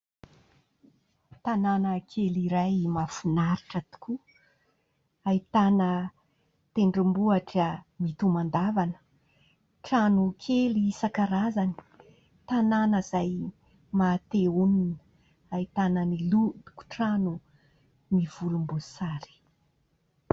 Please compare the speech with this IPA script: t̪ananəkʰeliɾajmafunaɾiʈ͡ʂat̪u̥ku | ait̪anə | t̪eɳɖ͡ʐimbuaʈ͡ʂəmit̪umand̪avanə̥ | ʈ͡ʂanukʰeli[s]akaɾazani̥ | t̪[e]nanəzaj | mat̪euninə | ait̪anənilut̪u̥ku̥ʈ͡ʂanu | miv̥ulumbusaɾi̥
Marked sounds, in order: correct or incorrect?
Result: correct, incorrect

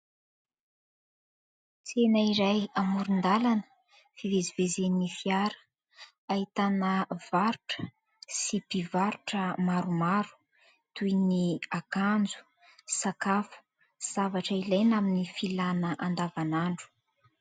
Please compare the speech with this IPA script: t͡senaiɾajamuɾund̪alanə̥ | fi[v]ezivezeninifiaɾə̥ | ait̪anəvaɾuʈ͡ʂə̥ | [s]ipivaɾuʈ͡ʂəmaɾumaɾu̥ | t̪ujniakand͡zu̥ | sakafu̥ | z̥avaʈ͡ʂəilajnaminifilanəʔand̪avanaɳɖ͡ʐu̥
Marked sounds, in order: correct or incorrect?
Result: correct, correct

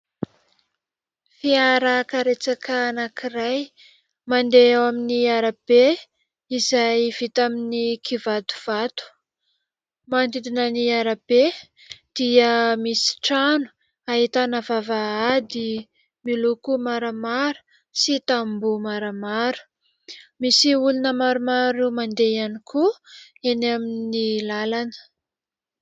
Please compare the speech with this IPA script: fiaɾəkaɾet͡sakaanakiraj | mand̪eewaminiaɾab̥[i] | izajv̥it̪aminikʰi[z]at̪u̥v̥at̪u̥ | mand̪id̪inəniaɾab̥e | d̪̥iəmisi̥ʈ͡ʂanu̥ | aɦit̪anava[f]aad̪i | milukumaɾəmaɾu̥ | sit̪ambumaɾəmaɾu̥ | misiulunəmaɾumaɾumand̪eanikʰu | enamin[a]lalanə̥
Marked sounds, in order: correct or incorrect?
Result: incorrect, incorrect, incorrect, incorrect

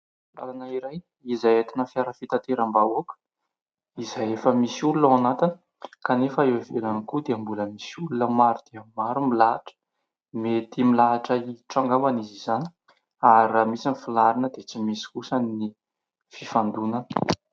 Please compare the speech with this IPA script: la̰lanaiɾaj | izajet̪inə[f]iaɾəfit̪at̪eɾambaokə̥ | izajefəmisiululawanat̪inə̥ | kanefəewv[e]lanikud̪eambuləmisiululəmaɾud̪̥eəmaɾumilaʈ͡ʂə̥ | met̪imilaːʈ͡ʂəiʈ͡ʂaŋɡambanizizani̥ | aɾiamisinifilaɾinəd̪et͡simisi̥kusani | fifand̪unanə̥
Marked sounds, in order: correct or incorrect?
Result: correct, correct

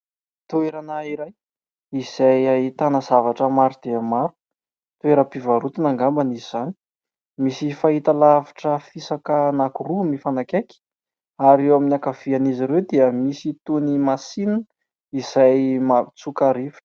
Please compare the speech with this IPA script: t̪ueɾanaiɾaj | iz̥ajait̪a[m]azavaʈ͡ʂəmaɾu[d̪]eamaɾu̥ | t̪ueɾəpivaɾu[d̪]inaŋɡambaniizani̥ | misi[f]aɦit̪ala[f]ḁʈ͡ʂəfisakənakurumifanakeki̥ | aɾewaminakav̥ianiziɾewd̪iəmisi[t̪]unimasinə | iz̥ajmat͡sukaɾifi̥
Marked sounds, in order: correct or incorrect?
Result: incorrect, correct, incorrect, correct, incorrect, correct

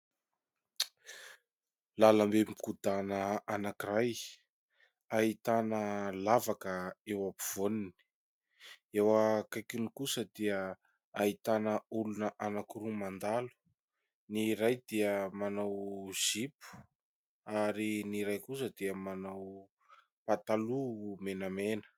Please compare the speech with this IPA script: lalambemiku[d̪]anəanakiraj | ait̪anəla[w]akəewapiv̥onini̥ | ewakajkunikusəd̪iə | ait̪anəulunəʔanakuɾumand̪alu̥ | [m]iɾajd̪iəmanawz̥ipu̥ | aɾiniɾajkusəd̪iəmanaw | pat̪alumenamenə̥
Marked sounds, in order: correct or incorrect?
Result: correct, incorrect, incorrect

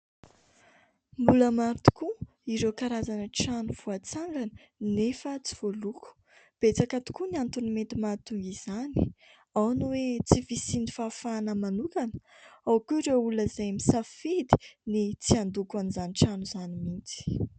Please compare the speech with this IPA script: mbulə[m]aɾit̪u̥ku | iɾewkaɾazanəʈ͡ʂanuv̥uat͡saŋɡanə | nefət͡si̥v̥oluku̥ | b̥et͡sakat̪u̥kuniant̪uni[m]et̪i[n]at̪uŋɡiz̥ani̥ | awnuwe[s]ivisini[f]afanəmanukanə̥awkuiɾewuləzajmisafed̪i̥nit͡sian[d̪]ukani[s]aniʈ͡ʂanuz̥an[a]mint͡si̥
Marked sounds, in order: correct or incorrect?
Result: correct, correct, incorrect, incorrect, correct, correct, incorrect, incorrect

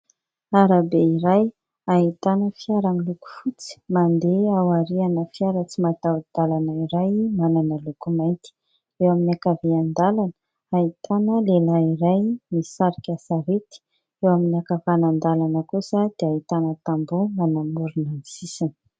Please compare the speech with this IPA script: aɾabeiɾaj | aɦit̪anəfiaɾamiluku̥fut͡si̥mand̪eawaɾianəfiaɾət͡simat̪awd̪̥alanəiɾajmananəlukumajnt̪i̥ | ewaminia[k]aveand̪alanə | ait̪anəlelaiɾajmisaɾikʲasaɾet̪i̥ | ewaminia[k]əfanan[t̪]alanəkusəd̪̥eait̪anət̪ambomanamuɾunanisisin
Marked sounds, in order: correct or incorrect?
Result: correct, correct, incorrect

